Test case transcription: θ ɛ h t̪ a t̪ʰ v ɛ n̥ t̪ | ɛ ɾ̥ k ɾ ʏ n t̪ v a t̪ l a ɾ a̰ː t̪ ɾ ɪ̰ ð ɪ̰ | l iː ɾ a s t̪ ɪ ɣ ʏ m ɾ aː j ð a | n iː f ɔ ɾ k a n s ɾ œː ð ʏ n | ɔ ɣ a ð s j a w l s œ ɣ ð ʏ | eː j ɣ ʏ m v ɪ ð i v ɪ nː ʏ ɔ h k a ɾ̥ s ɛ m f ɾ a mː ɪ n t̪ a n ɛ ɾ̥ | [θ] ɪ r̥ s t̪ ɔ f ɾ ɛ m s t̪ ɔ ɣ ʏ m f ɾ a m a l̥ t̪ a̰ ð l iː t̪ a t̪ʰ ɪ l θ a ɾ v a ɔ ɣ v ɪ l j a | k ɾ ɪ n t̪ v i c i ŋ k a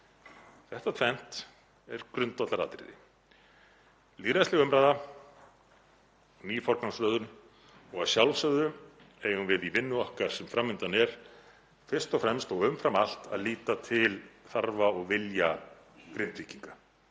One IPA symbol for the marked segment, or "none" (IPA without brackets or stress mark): f